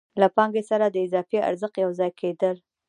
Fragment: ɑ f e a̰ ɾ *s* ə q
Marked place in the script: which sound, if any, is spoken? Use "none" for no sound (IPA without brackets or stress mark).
z